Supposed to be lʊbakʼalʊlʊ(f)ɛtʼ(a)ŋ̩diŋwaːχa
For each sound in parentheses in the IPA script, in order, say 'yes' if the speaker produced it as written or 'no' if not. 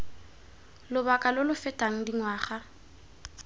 yes, yes

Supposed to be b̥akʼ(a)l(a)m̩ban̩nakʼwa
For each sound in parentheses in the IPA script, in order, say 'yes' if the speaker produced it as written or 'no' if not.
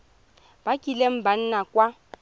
no, no

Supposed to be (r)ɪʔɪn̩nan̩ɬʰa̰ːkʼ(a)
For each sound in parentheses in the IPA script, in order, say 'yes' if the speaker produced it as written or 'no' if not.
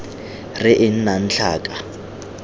yes, yes

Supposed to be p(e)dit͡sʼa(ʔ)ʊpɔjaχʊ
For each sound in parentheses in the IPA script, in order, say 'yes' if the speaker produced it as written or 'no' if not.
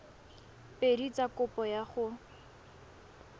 yes, no

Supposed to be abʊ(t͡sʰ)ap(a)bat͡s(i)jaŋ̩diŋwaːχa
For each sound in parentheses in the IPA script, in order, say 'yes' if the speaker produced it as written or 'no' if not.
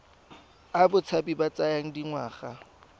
yes, no, no

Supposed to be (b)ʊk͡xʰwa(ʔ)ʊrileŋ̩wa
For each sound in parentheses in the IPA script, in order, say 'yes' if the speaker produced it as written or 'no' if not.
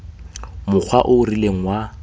no, yes

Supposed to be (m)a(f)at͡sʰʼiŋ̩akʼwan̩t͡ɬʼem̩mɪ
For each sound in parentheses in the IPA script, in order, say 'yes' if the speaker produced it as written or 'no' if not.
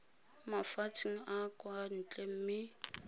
yes, yes

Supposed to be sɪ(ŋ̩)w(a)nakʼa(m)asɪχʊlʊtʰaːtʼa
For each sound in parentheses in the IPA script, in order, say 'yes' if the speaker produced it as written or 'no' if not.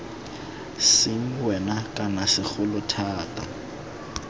yes, no, no

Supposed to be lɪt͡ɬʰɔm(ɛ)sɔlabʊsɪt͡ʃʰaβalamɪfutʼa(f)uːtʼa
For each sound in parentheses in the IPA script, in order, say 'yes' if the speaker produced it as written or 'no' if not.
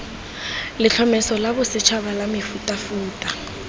yes, yes

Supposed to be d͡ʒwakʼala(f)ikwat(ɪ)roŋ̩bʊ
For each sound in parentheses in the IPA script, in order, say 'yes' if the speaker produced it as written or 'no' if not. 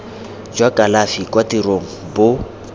yes, no

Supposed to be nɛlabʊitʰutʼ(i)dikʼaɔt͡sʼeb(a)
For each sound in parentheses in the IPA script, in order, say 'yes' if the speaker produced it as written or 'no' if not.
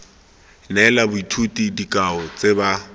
yes, yes

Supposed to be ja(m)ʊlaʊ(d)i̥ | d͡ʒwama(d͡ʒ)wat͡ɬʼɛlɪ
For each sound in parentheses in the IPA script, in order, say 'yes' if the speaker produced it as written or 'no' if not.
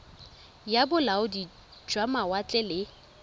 no, yes, no

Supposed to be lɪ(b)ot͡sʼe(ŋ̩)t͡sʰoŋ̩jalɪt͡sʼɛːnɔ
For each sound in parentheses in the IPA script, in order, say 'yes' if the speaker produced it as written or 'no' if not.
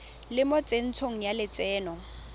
no, no

